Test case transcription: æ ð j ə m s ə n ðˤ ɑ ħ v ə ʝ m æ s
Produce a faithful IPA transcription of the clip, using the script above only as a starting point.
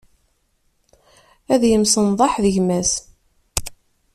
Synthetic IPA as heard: æ ð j ə m s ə n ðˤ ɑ ħ ð ə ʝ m æ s